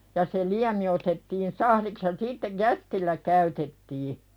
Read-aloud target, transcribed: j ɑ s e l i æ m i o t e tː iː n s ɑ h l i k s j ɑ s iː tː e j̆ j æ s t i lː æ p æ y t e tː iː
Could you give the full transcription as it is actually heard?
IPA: j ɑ s e l i æ m i o t e tː iː n s ɑ h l i k s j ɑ s iː tː e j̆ j æ s t i lː æ k æ y t e tː iː